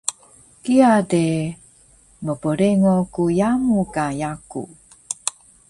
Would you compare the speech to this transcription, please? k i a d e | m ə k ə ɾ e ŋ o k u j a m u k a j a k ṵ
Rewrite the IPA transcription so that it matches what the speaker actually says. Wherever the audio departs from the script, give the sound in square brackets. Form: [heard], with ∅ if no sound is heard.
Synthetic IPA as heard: k i a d e | m ə [p] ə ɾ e ŋ o k u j a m u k a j a k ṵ